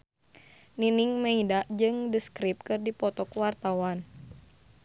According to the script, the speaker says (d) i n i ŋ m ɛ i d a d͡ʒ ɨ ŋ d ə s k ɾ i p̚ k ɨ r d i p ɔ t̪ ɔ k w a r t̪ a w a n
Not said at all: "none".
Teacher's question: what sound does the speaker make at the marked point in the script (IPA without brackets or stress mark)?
n